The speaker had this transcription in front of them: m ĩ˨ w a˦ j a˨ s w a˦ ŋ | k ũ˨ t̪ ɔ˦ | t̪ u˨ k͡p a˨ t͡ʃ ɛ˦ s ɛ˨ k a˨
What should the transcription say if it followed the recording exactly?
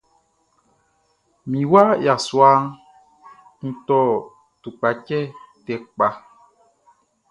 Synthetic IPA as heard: m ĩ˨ w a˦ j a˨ s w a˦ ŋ | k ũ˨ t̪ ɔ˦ | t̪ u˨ k͡p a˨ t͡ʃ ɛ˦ t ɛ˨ k͡p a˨